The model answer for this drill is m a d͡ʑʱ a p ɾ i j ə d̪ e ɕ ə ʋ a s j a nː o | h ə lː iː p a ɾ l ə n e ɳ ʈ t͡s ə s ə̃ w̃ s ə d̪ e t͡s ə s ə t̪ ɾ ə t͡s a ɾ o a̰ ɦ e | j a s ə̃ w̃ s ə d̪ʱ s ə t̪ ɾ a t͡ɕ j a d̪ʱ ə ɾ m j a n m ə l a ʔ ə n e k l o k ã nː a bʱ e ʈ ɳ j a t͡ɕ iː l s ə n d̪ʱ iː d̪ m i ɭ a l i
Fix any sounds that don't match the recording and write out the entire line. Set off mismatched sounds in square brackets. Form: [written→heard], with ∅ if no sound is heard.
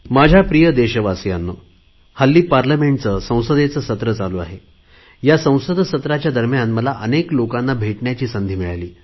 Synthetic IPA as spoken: m a d͡ʑʱ a p ɾ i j ə d̪ e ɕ ə ʋ a s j a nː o | h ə lː iː p a ɾ l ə [n→m] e ɳ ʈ t͡s ə s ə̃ w̃ s ə d̪ e t͡s ə s ə t̪ ɾ ə t͡s a [ɾ→l] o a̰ ɦ e | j a s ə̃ w̃ s ə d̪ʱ s ə t̪ ɾ a t͡ɕ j a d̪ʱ ə ɾ m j a n m ə l a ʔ ə n e k l o k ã nː a bʱ e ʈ ɳ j a t͡ɕ iː [l→∅] s ə n d̪ʱ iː [d̪→∅] m i ɭ a l [i→iː]